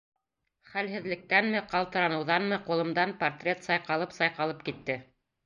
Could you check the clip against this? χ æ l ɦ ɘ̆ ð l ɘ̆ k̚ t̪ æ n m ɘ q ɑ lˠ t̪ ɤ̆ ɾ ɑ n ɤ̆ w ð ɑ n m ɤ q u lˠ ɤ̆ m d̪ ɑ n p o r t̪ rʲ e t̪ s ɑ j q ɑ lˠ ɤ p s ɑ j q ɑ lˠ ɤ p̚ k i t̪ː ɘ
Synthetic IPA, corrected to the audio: χ æ l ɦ ɘ̆ ð l ɘ̆ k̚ t̪ æ n m ɘ q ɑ lˠ t̪ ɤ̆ ɾ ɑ n ɤ̆ w ð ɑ n m ɤ q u lˠ ɤ̆ m d̪ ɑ n p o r t̪ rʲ e t̪ s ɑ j q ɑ lˠ ɤ p s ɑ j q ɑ lˠ ɤ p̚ k i t̪ː ɘ